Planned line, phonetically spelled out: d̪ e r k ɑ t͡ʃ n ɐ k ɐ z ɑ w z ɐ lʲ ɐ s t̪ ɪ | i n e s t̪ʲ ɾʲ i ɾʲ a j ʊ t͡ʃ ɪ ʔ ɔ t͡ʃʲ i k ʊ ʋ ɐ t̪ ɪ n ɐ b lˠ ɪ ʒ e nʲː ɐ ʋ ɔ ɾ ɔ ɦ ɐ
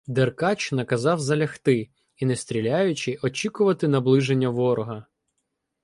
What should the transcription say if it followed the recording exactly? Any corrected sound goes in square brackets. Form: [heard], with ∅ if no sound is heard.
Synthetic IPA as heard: d̪ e r k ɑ t͡ʃ n ɐ k ɐ z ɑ w z ɐ lʲ ɐ [x] t̪ ɪ | i n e s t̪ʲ ɾʲ i [lʲ] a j ʊ t͡ʃ ɪ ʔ ɔ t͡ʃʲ i k ʊ ʋ ɐ t̪ ɪ n ɐ b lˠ ɪ ʒ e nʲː ɐ ʋ ɔ ɾ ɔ ɦ ɐ